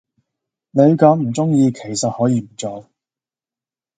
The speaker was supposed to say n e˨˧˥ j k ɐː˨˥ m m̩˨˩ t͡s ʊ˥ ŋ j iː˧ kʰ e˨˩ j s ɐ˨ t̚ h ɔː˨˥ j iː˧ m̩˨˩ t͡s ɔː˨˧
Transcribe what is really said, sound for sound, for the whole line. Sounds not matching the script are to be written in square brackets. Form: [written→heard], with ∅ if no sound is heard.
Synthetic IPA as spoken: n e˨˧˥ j k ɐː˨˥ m m̩˨˩ t͡s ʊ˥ ŋ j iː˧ kʰ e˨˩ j s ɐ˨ t̚ h ɔː˨˥ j iː˧ m̩˨˩ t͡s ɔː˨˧